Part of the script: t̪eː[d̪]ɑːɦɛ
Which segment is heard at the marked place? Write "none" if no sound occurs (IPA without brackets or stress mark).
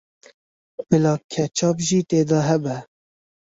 d̪